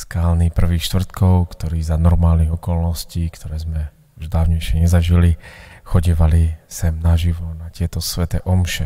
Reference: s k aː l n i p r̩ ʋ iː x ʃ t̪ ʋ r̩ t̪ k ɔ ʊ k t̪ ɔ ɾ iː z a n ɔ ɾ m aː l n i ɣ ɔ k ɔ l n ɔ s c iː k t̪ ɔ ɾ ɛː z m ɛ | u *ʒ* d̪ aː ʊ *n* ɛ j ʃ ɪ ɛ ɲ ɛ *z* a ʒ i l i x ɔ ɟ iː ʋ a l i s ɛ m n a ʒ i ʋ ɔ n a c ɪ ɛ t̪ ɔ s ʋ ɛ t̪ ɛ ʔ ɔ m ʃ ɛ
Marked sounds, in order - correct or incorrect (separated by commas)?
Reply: correct, incorrect, correct